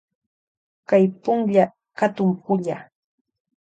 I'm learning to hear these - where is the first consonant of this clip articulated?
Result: velum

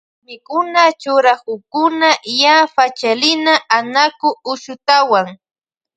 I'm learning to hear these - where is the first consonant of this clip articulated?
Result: lips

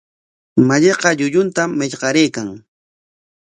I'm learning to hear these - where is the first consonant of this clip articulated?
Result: lips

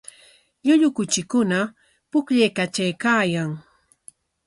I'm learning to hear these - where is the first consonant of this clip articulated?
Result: palate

